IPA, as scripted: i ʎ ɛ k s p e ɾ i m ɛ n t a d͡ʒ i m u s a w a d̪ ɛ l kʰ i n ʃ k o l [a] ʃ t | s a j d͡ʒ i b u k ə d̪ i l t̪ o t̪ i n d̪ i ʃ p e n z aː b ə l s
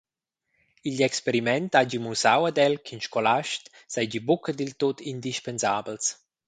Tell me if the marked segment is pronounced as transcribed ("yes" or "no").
yes